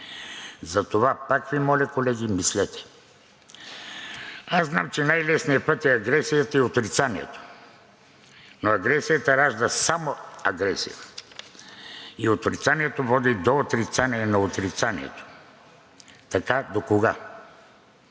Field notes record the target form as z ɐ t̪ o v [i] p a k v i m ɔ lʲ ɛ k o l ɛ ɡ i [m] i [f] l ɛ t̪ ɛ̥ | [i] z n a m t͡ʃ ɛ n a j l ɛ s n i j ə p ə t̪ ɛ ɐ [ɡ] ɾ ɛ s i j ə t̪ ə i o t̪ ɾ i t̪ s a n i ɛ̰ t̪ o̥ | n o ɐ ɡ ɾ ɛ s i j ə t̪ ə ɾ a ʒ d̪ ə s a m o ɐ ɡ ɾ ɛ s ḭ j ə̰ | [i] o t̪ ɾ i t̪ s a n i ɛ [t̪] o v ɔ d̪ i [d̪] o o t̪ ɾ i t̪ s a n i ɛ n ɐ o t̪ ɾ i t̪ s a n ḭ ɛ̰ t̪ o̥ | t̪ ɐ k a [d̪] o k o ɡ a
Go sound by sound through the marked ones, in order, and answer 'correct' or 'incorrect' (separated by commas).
incorrect, correct, incorrect, incorrect, correct, correct, correct, correct, correct